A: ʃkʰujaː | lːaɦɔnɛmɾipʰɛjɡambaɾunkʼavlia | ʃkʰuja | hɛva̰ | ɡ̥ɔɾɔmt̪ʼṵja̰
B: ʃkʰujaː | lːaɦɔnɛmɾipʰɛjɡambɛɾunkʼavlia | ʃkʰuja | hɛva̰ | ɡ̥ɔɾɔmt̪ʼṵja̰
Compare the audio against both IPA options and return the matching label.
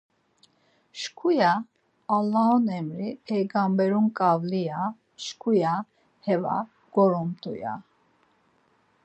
B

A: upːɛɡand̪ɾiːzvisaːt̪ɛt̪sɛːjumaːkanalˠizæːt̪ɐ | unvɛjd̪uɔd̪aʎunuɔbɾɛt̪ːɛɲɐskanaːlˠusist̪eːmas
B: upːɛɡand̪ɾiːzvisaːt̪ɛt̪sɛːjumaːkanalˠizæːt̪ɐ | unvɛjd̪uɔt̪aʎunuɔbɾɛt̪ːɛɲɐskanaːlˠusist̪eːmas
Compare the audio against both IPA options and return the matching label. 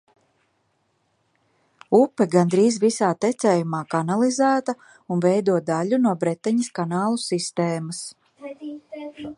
A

